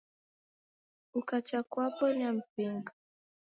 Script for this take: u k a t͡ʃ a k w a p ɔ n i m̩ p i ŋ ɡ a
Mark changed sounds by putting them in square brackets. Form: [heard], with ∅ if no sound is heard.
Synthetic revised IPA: u k a t͡ʃ a k w a p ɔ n [a] m̩ p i ŋ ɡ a